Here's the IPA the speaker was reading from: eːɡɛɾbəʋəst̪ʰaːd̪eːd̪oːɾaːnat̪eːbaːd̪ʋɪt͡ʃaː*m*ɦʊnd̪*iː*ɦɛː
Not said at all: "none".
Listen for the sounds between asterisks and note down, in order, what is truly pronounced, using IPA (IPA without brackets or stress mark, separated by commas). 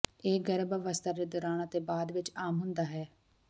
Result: m, aː